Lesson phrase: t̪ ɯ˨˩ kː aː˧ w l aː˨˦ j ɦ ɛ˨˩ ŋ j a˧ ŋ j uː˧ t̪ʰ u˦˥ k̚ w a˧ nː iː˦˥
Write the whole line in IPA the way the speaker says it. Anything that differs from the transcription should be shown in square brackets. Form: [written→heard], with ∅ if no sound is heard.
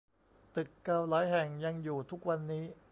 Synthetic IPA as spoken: t̪ ɯ˨˩ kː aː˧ w l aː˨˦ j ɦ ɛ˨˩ ŋ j a˧ ŋ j [uː˧→uː˨˩] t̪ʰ u˦˥ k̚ w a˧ nː iː˦˥